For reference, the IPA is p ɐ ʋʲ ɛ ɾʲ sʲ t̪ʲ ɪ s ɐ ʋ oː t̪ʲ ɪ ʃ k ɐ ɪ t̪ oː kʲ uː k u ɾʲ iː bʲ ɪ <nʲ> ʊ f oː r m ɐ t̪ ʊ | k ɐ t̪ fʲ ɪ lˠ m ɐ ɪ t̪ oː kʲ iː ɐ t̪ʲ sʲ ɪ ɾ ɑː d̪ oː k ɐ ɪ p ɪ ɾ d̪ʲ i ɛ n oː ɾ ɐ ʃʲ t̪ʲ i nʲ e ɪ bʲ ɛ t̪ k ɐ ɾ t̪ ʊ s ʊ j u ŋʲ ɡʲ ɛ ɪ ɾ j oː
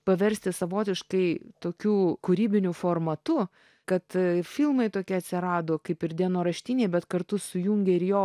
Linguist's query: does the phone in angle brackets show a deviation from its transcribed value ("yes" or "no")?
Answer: no